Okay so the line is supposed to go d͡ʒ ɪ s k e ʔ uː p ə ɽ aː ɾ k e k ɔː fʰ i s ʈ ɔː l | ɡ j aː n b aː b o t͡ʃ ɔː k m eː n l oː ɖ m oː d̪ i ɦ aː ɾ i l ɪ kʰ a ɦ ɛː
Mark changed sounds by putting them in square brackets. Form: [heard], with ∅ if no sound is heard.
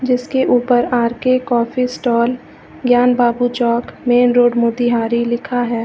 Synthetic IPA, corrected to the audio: d͡ʒ ɪ s k e ʔ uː p ə [ɾ] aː ɾ k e k ɔː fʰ i s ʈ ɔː l | ɡ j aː n b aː b [u] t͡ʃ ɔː k m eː n [ɾ] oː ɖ m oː d̪ i ɦ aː ɾ i l ɪ kʰ a ɦ ɛː